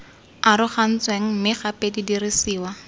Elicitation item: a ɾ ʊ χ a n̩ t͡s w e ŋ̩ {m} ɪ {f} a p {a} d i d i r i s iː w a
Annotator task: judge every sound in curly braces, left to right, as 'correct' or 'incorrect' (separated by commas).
correct, incorrect, incorrect